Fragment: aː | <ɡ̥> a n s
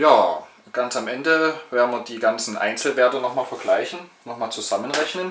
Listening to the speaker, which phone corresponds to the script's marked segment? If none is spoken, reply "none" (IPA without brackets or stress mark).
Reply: ɡ̥